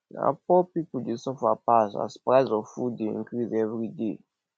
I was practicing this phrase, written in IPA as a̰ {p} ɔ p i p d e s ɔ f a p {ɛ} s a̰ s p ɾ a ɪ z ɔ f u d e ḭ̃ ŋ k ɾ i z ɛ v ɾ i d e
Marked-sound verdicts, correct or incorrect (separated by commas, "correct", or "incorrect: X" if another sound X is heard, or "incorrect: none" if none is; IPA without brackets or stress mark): correct, incorrect: a